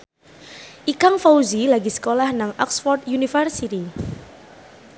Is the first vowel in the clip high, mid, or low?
high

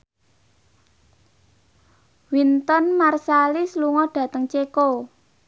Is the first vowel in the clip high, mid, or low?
high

